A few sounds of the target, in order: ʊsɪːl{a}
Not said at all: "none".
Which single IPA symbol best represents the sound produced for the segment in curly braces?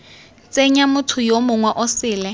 ɛ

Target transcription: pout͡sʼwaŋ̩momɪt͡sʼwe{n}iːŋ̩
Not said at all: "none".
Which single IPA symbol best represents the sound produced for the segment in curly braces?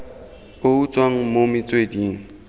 d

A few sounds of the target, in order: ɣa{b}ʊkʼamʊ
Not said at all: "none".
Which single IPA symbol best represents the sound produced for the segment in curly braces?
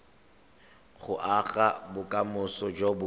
b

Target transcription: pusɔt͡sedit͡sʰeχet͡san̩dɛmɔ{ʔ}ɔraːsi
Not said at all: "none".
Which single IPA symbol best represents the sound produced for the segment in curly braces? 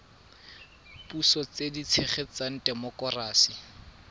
k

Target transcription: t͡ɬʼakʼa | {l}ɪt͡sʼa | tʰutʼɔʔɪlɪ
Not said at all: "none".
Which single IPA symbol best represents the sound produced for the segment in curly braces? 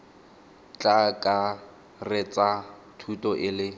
r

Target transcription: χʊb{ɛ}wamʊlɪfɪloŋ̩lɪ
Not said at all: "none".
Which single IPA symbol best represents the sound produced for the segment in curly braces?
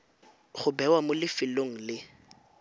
ɛ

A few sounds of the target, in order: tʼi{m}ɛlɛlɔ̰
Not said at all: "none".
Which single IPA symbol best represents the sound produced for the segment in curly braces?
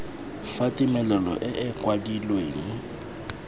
m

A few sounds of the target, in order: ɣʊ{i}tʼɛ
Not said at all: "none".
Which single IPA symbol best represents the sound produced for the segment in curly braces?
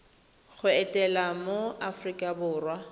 ɛ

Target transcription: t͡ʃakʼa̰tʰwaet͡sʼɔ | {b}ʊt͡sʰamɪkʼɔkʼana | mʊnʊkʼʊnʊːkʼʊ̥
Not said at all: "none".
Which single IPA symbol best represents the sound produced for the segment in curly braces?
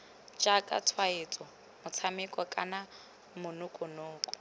m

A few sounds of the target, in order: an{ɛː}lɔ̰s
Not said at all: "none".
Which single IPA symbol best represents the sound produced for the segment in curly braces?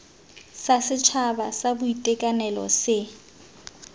ɛ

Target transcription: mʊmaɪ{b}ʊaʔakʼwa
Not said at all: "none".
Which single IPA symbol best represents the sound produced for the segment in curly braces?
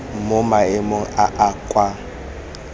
m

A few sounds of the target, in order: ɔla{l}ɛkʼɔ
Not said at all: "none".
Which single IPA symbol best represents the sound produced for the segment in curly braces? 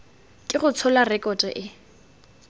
r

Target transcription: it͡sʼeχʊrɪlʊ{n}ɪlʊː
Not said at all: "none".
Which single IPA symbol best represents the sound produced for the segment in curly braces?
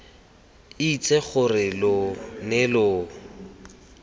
n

